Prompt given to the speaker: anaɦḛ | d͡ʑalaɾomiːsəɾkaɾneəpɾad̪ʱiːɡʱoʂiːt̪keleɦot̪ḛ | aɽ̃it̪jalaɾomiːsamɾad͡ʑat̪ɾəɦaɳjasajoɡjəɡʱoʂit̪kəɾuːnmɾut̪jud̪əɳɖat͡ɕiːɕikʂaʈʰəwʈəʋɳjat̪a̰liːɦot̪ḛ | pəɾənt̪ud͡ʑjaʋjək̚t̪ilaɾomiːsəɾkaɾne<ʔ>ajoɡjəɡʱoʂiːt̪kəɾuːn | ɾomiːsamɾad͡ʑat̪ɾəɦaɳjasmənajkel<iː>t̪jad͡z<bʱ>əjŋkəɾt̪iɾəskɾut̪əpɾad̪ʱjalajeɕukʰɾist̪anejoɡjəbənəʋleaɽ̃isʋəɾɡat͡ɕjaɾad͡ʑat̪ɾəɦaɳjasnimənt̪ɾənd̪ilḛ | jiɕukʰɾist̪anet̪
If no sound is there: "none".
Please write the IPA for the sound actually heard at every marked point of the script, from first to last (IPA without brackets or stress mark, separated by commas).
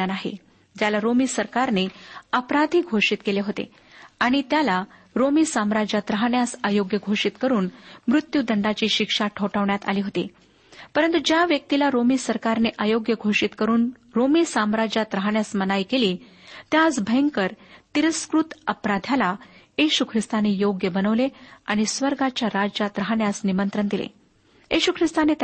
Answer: ʔ, iː, bʱ